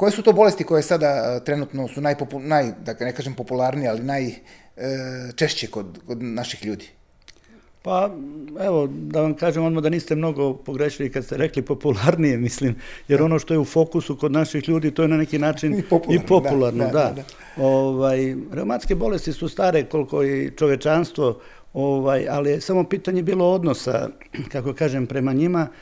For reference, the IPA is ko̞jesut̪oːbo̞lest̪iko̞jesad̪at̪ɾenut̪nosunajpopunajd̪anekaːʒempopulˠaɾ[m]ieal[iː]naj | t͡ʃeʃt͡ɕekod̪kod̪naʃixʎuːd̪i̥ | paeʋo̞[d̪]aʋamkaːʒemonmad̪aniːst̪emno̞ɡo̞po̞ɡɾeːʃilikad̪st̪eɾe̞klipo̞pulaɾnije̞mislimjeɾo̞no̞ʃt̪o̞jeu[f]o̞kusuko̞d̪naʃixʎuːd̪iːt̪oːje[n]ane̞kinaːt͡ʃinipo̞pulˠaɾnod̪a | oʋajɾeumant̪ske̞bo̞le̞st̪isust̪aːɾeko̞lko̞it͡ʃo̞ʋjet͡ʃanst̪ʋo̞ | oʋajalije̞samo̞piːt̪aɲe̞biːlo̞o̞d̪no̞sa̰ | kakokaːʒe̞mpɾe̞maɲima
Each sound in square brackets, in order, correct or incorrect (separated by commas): incorrect, incorrect, correct, correct, correct